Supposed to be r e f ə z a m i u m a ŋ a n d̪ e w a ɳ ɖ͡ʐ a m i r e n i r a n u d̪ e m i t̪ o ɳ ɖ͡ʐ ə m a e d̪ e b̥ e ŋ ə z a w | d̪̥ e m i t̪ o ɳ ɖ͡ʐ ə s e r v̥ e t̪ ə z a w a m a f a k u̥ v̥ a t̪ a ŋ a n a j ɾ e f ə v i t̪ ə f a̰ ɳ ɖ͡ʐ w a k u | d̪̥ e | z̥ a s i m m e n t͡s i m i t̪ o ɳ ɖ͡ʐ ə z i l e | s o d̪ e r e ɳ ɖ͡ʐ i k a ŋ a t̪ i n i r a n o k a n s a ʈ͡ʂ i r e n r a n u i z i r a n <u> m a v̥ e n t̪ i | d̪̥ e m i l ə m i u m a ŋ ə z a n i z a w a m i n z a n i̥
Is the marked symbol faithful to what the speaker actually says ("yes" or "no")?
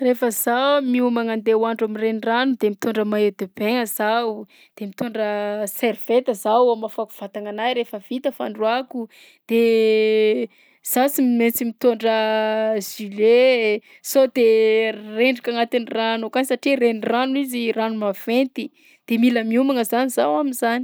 yes